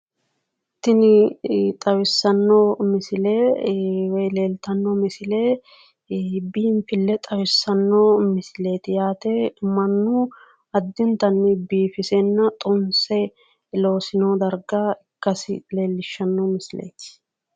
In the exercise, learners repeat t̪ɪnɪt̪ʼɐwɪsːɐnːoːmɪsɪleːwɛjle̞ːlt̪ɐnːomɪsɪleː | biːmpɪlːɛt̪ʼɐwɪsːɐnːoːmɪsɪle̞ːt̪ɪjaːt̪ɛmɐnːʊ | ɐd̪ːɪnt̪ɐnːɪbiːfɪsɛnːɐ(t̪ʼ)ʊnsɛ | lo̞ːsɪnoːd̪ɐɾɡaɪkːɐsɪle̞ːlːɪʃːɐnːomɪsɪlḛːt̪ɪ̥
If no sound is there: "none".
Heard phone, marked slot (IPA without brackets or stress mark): t̪ʼ